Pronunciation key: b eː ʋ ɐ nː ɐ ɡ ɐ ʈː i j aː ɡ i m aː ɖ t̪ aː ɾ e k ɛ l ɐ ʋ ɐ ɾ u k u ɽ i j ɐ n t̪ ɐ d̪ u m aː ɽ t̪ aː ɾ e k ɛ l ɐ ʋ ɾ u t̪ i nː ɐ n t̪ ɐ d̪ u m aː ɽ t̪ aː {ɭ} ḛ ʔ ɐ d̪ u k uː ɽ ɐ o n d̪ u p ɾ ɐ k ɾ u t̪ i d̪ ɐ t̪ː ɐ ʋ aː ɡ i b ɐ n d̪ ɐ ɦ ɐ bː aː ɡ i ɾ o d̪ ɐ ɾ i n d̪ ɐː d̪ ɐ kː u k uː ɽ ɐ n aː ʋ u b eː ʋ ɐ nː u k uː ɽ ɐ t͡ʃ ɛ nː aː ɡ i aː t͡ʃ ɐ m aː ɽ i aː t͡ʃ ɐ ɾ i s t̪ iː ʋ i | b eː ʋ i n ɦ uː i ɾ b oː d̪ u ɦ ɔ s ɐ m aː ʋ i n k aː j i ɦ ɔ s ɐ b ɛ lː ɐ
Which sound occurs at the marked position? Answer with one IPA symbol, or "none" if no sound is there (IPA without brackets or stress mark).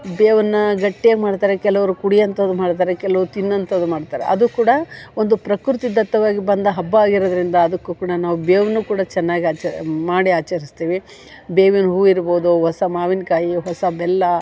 ɾ